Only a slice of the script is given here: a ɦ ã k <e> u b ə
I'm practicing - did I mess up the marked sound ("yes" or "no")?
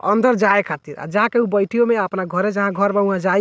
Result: no